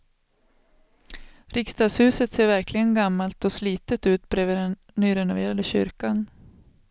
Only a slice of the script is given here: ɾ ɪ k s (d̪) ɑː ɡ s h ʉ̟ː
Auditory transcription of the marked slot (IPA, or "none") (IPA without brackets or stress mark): t̪